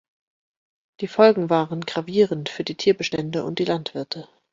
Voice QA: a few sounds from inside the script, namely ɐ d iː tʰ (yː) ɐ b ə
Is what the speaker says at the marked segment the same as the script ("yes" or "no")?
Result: no